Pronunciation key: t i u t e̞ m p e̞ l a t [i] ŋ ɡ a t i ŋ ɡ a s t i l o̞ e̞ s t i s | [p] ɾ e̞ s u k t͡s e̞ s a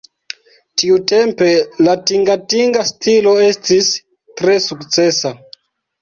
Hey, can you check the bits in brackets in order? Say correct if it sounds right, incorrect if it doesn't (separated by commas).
correct, incorrect